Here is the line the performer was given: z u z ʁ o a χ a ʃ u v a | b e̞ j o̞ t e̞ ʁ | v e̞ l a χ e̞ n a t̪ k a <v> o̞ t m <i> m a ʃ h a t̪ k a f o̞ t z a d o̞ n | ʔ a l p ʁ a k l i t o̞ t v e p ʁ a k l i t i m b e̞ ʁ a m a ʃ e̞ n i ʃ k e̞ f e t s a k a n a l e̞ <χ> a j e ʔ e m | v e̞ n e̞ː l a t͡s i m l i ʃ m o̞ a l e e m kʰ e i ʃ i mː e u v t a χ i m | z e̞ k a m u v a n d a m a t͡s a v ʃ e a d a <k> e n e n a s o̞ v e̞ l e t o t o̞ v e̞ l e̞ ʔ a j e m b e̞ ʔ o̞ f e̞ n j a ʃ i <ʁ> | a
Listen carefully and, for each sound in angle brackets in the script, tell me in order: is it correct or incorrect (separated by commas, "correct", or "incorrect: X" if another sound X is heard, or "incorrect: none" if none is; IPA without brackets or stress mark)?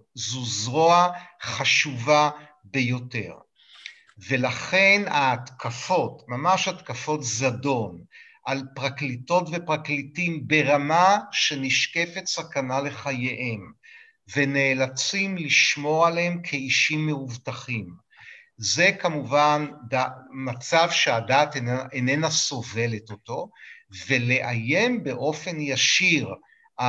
incorrect: f, incorrect: a, correct, incorrect: t, correct